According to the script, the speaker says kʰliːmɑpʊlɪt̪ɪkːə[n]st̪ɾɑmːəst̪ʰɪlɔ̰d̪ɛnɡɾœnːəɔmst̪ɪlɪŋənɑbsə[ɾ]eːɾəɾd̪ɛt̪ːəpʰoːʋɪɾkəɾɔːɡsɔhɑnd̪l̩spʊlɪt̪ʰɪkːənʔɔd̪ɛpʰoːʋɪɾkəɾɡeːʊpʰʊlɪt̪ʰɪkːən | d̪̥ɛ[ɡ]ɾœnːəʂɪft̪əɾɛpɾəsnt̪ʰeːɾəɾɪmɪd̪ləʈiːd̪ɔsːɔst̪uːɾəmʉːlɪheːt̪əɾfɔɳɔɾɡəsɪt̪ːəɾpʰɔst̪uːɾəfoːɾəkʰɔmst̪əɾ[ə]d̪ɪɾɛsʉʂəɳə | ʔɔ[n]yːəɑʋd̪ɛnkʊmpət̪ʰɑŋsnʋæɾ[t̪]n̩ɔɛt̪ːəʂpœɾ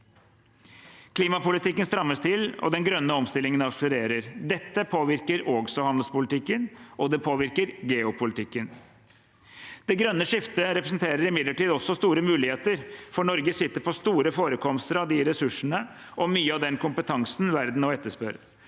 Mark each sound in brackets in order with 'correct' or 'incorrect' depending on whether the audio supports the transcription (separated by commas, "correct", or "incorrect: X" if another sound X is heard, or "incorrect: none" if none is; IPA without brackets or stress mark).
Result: correct, correct, correct, incorrect: ɑ, incorrect: m, incorrect: d̪